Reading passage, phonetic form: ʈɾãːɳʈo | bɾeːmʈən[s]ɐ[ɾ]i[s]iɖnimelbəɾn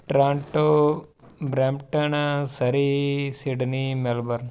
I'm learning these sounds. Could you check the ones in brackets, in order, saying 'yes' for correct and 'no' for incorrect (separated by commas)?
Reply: yes, yes, yes